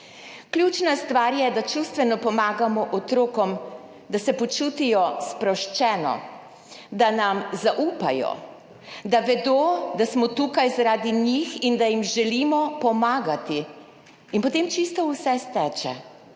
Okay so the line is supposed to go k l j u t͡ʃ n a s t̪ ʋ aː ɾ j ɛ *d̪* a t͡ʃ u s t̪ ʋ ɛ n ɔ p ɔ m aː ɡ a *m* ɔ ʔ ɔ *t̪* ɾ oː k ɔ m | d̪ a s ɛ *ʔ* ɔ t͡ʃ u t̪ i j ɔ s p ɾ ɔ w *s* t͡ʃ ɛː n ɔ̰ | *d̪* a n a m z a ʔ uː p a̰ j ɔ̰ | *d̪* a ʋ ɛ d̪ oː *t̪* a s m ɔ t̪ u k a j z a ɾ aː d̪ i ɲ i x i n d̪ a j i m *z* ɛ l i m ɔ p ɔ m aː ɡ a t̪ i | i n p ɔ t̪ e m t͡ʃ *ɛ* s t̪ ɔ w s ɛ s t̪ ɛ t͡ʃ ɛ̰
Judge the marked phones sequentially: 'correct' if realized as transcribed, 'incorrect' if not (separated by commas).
correct, correct, correct, incorrect, incorrect, correct, correct, incorrect, incorrect, incorrect